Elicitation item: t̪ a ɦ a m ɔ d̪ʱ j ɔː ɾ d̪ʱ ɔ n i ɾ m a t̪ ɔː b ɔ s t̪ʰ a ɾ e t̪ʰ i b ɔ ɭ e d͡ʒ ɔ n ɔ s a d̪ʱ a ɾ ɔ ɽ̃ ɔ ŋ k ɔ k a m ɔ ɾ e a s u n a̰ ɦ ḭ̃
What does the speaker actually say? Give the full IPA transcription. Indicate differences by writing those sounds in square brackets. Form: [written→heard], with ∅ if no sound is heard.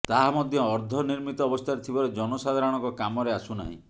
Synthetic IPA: t̪ a ɦ a m ɔ d̪ʱ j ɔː ɾ d̪ʱ ɔ n i ɾ m [a→i] t̪ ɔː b ɔ s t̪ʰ a ɾ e t̪ʰ i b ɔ [ɭ→ɾ] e d͡ʒ ɔ n ɔ s a d̪ʱ a ɾ ɔ ɽ̃ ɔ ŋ k ɔ k a m ɔ ɾ e a s u n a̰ ɦ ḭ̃